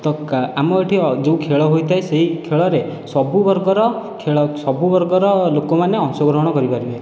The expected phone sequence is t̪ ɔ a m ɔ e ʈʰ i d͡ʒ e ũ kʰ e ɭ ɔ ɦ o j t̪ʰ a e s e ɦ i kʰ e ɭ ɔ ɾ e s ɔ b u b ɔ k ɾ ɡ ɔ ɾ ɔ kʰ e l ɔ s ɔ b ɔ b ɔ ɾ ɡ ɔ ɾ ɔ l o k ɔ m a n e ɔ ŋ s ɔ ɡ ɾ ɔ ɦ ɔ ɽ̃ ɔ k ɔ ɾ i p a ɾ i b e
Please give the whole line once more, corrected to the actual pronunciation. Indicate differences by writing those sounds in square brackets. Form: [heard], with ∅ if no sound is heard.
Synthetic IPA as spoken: t̪ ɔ a m ɔ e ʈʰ i d͡ʒ e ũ kʰ e ɭ ɔ ɦ o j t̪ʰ a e s e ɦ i kʰ e ɭ ɔ ɾ e s ɔ b u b ɔ [∅] ɾ ɡ ɔ ɾ ɔ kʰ e [ɭ] ɔ s ɔ b [u] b ɔ ɾ ɡ ɔ ɾ ɔ l o k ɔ m a n e ɔ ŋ s ɔ ɡ ɾ ɔ ɦ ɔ ɽ̃ ɔ k ɔ ɾ i p a ɾ i b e